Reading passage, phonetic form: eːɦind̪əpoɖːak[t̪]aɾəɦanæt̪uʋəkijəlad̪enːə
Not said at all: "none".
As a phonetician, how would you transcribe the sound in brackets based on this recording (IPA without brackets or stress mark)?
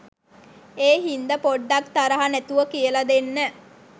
t̪